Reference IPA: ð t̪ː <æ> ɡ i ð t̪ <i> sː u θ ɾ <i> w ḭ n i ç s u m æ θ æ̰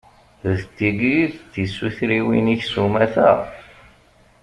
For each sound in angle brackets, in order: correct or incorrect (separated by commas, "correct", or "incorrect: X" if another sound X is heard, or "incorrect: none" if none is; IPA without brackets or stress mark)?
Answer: incorrect: i, correct, correct